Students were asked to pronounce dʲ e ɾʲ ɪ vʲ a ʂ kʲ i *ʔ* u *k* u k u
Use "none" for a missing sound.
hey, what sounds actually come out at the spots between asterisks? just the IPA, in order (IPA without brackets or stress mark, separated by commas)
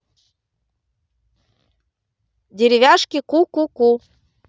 k, k